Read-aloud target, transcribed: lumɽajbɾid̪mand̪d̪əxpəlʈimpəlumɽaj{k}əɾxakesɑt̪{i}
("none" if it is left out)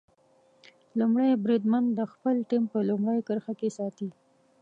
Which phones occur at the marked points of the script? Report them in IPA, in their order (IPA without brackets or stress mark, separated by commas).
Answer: k, i